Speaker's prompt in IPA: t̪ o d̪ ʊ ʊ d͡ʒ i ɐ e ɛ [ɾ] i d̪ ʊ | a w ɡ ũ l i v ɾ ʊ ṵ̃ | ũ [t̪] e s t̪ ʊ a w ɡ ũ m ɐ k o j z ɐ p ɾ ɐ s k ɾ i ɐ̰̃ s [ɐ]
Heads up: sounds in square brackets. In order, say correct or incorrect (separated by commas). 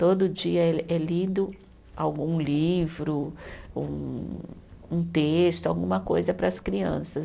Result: incorrect, correct, correct